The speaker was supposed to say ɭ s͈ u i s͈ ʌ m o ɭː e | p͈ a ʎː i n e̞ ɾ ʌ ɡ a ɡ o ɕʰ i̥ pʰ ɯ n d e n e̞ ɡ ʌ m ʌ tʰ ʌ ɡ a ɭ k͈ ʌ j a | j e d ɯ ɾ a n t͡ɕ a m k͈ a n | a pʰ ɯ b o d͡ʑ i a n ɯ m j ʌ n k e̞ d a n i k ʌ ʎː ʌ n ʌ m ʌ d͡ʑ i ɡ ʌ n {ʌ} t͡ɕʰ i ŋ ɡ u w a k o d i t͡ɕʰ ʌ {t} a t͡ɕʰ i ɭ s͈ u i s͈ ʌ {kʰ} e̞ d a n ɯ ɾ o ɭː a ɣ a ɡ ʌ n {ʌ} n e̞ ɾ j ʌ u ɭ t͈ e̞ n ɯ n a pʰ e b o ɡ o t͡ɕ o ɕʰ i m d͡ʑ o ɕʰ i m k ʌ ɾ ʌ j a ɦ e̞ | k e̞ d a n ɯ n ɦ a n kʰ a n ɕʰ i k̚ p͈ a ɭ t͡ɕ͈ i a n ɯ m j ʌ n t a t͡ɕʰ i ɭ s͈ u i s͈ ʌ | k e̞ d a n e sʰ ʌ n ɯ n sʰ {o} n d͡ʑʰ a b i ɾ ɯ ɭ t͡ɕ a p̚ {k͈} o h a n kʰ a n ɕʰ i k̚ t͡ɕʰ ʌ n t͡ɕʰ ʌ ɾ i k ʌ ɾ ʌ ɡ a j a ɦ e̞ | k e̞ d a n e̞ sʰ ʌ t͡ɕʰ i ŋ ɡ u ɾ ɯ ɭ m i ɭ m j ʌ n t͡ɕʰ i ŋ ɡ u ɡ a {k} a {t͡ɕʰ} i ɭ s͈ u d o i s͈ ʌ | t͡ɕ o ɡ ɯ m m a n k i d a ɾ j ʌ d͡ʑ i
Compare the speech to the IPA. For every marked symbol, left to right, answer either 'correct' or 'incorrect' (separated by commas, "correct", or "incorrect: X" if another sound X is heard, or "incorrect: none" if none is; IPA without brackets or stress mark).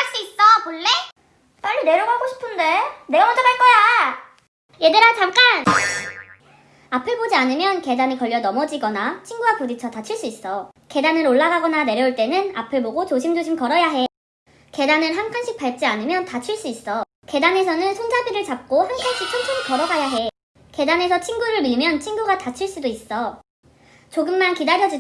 incorrect: a, correct, incorrect: k, incorrect: a, correct, correct, incorrect: t, correct